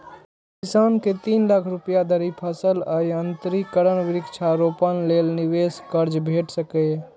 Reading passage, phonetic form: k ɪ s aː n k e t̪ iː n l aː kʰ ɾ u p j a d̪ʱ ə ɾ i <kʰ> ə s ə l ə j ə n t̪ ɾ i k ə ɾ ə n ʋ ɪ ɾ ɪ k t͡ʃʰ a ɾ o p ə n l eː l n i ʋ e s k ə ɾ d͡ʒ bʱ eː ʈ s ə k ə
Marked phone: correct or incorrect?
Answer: incorrect